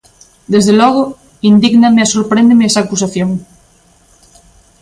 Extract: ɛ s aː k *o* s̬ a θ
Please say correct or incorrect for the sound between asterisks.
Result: incorrect